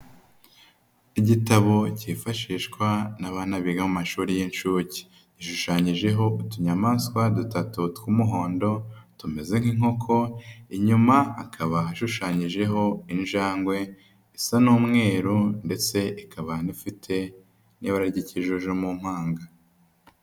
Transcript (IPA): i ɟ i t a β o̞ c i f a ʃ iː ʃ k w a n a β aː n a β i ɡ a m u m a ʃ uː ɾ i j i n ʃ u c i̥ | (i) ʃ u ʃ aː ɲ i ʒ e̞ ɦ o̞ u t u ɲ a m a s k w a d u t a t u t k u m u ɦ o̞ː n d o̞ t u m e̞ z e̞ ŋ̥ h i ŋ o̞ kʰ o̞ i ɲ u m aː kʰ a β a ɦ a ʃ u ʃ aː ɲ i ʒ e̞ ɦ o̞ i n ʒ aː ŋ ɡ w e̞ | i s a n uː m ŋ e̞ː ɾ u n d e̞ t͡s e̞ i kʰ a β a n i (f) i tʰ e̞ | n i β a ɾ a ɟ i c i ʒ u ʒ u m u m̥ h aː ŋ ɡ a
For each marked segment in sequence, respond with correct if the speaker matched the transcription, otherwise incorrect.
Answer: correct, correct

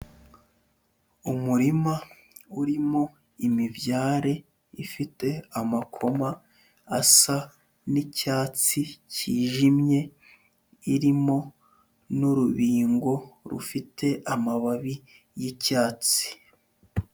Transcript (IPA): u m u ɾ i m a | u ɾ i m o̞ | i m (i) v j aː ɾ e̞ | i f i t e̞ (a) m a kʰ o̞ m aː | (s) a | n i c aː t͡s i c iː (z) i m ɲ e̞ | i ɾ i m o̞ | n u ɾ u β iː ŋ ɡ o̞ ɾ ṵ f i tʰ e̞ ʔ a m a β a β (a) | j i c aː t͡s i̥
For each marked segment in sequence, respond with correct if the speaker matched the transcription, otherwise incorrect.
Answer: correct, correct, correct, incorrect: ʒ, incorrect: i

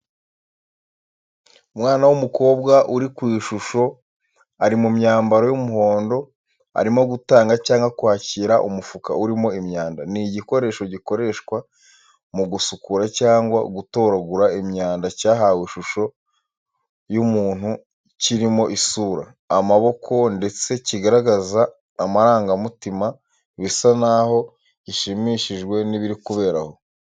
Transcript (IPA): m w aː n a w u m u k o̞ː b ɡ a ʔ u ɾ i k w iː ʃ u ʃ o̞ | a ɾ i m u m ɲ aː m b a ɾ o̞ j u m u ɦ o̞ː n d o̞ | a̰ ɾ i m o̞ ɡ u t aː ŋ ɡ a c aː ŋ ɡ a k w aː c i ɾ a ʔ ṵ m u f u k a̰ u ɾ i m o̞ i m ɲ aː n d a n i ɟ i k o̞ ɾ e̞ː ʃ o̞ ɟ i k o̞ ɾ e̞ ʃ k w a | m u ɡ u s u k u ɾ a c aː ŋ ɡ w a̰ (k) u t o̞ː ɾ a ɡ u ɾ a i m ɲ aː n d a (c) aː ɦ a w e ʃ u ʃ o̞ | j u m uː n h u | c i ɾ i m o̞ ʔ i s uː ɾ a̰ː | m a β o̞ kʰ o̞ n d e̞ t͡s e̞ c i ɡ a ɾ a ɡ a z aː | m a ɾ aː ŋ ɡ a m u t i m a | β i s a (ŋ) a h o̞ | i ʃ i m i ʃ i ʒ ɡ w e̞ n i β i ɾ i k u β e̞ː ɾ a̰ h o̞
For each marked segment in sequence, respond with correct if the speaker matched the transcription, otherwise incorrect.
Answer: incorrect: ɡ, correct, incorrect: n

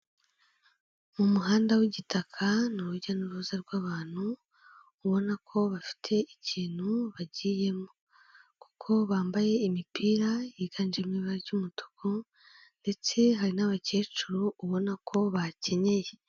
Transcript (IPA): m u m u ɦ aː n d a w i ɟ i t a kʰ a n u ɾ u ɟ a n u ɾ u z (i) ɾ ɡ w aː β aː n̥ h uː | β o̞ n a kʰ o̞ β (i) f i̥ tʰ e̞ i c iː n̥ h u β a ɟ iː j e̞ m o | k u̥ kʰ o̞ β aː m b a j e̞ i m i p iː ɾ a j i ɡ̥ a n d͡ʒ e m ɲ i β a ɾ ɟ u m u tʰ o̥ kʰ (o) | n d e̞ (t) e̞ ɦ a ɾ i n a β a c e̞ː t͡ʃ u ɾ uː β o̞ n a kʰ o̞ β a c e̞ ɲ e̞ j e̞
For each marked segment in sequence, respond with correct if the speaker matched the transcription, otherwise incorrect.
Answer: incorrect: a, incorrect: a, correct, incorrect: t͡s

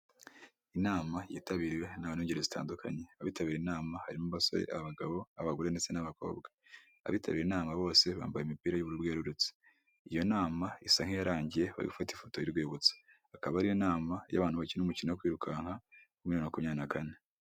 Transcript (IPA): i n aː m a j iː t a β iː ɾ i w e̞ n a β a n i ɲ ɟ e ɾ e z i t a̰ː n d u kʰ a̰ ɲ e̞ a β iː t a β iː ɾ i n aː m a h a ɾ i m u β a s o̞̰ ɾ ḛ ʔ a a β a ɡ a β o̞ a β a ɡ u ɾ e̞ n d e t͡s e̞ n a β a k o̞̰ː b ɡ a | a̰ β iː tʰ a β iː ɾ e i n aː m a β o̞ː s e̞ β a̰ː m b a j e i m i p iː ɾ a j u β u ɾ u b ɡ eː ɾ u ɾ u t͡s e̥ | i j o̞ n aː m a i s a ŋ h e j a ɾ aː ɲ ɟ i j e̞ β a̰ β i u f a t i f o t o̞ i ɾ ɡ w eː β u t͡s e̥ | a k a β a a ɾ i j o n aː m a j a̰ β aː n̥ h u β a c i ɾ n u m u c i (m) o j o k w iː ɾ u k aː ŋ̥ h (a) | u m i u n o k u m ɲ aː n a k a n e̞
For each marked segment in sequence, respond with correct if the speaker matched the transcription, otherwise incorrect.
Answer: incorrect: n, correct

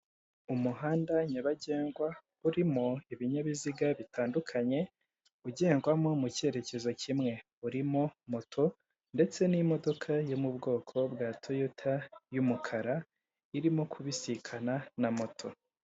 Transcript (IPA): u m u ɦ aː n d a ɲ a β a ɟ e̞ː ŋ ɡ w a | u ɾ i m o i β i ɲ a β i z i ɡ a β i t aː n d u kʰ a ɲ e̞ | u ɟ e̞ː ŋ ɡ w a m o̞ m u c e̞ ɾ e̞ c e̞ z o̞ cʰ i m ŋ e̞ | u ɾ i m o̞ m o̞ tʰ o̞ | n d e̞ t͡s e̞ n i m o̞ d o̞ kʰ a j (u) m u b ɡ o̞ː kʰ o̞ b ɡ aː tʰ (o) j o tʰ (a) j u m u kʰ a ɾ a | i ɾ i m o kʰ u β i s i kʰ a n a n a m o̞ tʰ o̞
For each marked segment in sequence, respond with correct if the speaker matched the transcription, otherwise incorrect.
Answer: incorrect: o, correct, correct

